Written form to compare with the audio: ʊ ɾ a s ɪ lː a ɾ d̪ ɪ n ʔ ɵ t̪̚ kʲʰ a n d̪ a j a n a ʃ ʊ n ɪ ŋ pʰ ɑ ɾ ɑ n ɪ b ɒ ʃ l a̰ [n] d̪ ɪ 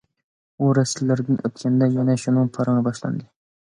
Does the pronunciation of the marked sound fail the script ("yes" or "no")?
no